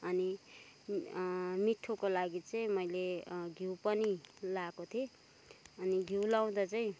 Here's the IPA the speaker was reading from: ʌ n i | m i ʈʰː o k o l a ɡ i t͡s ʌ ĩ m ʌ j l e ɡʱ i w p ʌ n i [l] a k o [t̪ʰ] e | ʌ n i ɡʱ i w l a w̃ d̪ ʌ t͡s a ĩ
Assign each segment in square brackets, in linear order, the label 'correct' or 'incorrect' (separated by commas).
correct, correct